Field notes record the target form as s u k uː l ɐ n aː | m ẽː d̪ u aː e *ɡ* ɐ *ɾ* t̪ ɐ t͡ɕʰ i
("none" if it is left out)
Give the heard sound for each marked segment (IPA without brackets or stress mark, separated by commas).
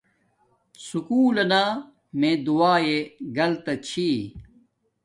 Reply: ɡ, l